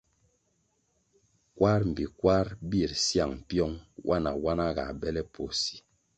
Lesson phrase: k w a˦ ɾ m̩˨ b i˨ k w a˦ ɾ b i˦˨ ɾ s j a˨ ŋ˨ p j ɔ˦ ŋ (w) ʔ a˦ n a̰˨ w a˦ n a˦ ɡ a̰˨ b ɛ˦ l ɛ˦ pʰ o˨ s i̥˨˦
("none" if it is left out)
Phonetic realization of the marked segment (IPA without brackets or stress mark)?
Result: w